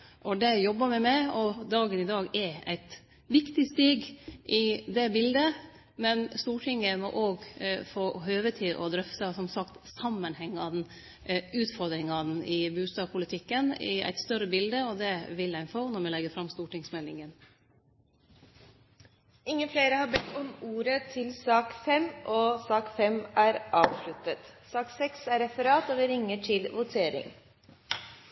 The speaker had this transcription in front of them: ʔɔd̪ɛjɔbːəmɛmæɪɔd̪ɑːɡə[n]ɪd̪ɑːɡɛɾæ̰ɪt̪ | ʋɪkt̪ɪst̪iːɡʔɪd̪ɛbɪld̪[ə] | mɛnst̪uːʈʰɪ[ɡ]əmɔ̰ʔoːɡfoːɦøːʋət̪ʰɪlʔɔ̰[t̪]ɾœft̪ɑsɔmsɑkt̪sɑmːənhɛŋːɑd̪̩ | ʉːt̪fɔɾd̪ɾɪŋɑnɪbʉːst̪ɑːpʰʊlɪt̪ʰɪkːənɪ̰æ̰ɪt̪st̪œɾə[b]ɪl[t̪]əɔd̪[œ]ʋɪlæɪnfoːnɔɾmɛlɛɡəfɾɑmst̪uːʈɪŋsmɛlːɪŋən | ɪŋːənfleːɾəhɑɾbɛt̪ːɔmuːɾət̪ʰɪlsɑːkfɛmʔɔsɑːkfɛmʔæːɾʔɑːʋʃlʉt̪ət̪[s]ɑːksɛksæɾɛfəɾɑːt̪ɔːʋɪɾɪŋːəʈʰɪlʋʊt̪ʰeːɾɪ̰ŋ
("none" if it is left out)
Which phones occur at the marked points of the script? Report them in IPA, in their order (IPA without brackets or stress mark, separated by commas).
n, ə, ŋ, d̪, b, d̪, ɛ, s